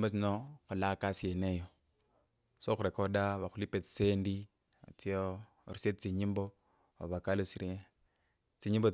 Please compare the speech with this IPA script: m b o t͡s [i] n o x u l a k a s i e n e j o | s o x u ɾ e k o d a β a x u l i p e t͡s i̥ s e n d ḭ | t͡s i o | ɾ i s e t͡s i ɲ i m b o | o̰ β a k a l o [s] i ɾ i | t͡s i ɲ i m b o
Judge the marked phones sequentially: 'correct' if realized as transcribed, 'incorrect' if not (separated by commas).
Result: correct, correct